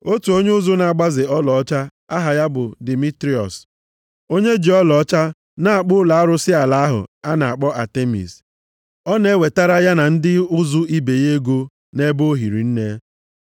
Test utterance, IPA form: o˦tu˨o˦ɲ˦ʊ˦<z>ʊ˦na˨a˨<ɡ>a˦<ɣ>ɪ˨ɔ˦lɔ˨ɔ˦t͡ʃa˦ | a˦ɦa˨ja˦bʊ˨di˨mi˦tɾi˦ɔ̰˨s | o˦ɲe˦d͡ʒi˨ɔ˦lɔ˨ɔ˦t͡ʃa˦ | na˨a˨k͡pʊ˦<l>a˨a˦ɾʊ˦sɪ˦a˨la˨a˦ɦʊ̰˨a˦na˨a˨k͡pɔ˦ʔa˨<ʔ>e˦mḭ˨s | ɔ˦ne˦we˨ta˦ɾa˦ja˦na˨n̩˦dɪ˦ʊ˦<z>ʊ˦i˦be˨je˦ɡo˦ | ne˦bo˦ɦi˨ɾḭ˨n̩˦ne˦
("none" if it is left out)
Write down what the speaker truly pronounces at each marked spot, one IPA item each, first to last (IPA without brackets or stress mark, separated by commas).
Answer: z, ɡ͡b, z, l, t, z